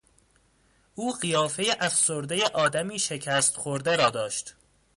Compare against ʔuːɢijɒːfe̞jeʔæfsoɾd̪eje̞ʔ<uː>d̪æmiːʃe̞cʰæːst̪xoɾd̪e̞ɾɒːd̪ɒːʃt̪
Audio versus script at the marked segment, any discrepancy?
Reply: yes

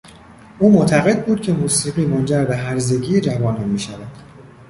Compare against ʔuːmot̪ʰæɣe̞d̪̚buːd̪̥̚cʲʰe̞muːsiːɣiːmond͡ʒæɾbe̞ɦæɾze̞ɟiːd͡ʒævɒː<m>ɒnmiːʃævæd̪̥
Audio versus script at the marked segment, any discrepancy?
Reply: yes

